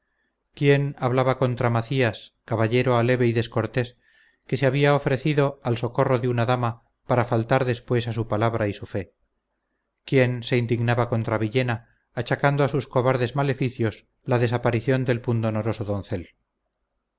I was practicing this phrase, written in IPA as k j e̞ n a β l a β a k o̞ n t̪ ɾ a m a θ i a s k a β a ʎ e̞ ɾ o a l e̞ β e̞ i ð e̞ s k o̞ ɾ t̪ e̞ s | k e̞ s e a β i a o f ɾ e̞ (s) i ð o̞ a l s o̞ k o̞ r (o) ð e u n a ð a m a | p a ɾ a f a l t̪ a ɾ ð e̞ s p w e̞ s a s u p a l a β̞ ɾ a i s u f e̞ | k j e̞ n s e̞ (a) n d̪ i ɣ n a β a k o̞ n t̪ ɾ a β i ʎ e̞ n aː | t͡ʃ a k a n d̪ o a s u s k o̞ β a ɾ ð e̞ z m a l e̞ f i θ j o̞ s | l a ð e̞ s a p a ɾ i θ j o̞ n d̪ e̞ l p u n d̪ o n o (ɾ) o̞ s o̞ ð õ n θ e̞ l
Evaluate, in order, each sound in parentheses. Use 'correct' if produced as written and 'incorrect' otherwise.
incorrect: θ, correct, incorrect: i, correct

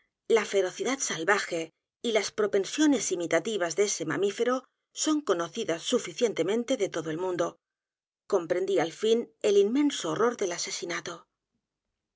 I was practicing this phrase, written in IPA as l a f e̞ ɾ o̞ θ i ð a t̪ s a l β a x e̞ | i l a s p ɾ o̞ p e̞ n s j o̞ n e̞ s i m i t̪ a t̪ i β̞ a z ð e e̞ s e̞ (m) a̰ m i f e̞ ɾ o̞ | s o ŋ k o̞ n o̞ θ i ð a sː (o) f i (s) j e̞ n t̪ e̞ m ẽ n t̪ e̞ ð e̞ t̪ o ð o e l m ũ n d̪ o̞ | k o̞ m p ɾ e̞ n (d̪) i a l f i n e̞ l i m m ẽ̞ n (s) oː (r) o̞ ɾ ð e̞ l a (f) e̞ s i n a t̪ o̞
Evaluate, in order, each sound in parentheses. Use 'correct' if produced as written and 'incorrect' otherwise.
correct, incorrect: u, incorrect: θ, correct, correct, correct, incorrect: s

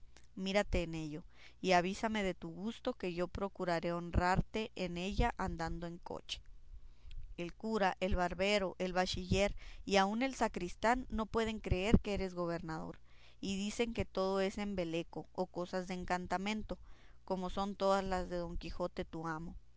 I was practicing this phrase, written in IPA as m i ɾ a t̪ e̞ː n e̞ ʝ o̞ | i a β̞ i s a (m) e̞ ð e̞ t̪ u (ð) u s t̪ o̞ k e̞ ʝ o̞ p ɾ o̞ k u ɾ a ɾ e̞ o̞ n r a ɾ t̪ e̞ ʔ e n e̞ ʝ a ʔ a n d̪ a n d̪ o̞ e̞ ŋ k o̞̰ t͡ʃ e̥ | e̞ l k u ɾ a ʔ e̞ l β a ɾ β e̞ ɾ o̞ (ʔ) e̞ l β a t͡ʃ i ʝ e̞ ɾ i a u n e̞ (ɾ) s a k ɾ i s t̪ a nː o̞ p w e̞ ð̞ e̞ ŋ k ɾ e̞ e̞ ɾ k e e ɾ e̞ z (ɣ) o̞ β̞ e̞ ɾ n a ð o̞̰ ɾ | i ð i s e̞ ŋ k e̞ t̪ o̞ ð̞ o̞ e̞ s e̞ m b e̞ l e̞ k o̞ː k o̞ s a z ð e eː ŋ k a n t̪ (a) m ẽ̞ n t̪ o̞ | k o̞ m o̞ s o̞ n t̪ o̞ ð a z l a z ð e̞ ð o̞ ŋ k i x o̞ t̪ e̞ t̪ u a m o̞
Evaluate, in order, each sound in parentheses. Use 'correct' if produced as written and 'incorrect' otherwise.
correct, incorrect: ɣ, correct, incorrect: l, correct, correct

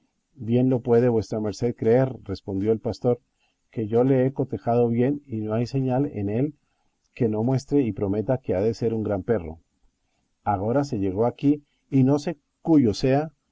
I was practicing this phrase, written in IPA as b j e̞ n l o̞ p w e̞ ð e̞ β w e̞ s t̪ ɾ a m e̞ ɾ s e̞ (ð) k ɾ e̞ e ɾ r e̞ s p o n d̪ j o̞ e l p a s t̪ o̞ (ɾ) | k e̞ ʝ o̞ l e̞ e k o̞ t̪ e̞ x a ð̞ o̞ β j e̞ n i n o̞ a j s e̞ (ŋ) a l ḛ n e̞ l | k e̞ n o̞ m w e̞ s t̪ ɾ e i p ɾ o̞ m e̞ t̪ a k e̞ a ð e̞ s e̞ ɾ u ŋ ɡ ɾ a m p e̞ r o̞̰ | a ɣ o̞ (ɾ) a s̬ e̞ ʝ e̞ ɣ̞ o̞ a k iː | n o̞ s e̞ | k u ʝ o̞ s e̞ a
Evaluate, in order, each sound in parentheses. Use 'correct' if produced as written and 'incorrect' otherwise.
correct, correct, incorrect: ɲ, correct

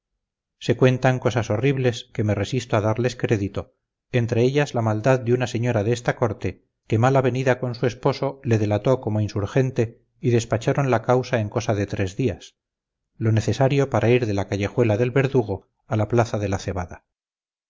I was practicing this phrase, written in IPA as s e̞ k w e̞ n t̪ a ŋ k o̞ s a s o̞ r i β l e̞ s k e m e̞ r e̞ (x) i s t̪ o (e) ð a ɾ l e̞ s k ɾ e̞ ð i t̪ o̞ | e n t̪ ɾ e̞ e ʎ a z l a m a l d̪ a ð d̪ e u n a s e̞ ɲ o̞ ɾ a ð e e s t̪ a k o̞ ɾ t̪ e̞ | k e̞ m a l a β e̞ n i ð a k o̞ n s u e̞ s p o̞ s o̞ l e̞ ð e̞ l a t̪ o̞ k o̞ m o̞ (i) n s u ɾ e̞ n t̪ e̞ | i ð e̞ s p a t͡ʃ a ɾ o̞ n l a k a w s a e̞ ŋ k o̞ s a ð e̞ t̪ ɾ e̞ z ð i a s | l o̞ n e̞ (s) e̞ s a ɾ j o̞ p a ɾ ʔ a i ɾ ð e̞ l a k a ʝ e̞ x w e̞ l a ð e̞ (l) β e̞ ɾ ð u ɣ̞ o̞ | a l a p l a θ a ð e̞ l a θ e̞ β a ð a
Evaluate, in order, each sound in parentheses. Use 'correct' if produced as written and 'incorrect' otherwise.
incorrect: s, incorrect: a, correct, incorrect: θ, correct

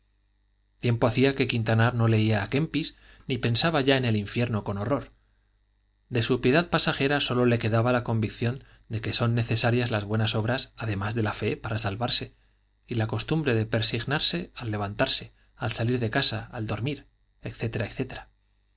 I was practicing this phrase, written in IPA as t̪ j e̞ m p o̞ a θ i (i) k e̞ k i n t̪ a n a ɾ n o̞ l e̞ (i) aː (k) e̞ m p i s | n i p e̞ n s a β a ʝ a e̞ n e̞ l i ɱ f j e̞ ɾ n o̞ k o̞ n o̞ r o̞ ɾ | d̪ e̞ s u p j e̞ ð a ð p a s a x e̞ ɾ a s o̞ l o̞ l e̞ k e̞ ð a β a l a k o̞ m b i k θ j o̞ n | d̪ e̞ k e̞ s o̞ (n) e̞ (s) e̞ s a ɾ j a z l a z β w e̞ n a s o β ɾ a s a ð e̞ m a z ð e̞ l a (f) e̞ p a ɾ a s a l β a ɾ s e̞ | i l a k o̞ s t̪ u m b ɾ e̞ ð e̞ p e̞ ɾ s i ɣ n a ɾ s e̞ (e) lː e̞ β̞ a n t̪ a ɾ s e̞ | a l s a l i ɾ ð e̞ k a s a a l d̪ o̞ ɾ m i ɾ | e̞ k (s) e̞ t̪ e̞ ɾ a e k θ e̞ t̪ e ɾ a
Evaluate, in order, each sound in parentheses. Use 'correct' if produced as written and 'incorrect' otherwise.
incorrect: a, correct, correct, incorrect: nː, incorrect: θ, correct, incorrect: a, incorrect: θ

